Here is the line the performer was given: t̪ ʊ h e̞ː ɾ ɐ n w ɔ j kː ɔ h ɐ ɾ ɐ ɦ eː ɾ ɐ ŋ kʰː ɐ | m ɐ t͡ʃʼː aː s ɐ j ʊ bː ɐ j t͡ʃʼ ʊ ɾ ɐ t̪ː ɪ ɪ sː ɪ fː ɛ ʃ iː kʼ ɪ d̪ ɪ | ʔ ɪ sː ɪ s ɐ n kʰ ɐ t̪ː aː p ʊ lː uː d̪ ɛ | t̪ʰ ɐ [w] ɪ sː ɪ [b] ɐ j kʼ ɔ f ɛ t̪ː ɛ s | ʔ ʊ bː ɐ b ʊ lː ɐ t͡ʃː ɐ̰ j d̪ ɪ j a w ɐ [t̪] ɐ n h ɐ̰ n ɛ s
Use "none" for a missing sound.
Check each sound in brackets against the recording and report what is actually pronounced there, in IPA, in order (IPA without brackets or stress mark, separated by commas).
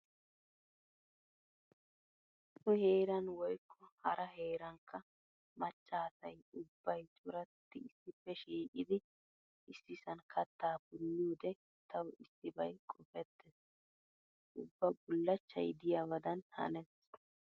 w, b, d̪